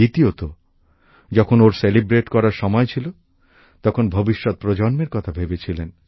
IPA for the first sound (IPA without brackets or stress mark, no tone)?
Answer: i